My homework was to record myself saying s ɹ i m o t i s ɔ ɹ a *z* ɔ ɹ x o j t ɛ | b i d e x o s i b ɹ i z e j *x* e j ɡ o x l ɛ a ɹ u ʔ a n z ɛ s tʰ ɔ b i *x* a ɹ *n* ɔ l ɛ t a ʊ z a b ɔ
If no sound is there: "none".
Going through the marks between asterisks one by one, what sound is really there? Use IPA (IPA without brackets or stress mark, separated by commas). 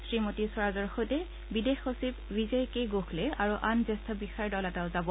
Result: z, k, x, d